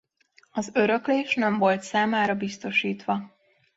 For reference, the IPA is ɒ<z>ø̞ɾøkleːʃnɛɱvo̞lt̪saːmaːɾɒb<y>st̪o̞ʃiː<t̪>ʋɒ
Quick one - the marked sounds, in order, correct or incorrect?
correct, incorrect, correct

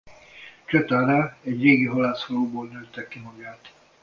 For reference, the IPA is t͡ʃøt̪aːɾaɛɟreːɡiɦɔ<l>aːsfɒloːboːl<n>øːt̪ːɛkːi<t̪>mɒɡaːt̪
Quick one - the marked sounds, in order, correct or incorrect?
correct, correct, incorrect

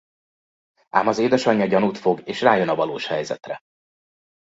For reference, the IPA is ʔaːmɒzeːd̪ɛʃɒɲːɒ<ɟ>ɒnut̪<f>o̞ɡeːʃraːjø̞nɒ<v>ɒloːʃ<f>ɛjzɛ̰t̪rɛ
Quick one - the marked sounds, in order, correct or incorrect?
correct, correct, correct, incorrect

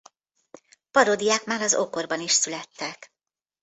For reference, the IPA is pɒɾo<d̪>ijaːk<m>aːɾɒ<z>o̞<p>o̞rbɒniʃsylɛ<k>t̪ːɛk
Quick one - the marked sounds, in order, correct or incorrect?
correct, correct, correct, incorrect, incorrect

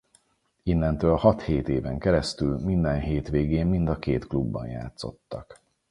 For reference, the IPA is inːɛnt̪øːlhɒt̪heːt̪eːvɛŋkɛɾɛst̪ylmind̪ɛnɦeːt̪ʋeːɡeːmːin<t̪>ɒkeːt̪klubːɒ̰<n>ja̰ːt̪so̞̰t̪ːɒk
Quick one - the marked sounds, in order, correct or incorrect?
incorrect, correct

